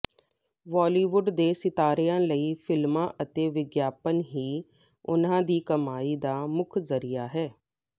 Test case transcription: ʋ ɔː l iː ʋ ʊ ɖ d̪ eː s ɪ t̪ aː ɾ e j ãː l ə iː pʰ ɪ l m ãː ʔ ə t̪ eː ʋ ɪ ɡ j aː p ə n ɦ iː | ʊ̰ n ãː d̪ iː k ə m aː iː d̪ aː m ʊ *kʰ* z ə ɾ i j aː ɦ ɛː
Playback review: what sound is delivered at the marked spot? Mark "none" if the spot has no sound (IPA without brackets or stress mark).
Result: kʰ